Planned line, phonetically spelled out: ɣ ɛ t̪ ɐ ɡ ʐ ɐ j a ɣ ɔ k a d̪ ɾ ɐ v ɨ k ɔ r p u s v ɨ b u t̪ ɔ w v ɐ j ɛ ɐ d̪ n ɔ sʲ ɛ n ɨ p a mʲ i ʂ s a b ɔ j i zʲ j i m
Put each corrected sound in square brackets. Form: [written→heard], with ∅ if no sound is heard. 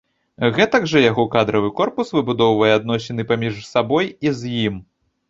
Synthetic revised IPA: ɣ ɛ t̪ ɐ ɡ ʐ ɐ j a ɣ ɔ k a d̪ ɾ ɐ v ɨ k ɔ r p u s v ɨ b u [t̪→d̪] ɔ w v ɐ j ɛ [ɐ→a] d̪ n ɔ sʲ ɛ n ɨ p a mʲ i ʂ s a b ɔ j i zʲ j i m